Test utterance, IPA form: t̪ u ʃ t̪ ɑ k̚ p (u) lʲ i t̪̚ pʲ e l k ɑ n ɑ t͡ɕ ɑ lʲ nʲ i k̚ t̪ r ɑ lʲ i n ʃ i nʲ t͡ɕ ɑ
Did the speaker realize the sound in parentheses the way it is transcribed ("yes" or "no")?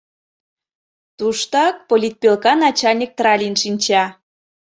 no